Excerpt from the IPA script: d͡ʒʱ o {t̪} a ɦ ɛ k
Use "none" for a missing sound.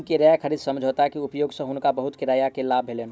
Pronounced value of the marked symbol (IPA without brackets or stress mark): t̪